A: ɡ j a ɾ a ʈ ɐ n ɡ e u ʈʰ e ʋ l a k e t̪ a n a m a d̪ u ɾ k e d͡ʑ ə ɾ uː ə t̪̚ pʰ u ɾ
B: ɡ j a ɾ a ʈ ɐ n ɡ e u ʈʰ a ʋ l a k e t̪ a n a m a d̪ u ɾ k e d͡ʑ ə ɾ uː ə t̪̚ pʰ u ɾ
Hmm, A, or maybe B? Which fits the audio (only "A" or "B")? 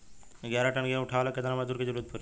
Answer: B